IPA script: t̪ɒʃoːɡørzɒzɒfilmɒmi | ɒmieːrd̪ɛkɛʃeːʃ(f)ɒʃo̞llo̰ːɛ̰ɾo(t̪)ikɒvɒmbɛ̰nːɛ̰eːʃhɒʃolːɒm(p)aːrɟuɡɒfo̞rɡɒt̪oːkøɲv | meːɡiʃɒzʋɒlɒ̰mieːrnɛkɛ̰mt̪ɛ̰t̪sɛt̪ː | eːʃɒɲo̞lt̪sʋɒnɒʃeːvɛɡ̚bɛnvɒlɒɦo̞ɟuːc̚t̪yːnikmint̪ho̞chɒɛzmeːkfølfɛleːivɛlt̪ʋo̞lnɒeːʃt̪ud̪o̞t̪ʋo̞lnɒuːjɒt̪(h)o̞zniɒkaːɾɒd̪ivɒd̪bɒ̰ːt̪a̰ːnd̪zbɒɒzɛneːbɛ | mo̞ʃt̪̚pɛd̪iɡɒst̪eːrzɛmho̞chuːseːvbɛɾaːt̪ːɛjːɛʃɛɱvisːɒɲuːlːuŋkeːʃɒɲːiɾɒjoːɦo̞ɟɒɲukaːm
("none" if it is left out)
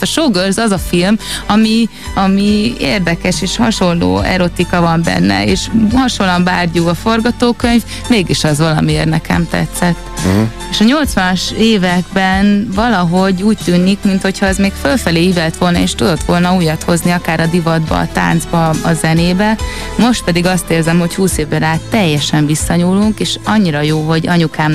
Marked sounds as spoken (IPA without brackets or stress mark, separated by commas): h, t̪, b, h